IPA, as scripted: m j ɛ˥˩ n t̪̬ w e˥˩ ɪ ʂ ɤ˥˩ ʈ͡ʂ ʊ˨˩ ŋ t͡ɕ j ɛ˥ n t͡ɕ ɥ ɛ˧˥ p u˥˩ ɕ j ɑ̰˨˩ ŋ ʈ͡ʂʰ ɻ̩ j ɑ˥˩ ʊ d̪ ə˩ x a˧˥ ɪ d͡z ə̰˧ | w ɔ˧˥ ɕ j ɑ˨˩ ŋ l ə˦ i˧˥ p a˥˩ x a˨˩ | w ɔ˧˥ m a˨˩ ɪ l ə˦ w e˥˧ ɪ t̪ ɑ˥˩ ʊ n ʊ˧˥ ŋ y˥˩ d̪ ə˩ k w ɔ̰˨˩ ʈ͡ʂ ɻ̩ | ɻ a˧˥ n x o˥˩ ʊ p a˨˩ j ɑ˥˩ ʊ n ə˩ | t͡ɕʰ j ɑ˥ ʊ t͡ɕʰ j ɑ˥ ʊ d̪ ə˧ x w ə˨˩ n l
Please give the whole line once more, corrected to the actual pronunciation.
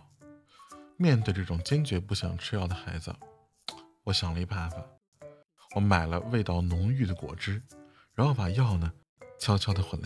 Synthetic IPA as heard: m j ɛ˥˧ n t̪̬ w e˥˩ ɪ ʈ͡ʂ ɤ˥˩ ʈ͡ʂ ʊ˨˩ ŋ t͡ɕ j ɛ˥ n t͡ɕ ɥ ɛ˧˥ p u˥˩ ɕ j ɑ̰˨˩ ŋ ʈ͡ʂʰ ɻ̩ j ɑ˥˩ ʊ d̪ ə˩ x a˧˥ ɪ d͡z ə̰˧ | w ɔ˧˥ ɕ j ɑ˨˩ ŋ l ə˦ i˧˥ p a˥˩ f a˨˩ | w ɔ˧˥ m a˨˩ ɪ l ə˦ w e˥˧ ɪ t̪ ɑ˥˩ ʊ n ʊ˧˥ ŋ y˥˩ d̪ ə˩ k w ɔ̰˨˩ ʈ͡ʂ ɻ̩ | ɻ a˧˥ n x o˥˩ ʊ p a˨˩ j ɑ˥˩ ʊ n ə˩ | t͡ɕʰ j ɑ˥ ʊ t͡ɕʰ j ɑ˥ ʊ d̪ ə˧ x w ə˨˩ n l